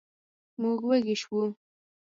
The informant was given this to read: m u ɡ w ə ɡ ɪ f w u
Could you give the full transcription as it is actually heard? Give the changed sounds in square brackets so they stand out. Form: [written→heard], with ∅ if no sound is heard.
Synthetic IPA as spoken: m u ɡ w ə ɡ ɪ [f→ʃ] w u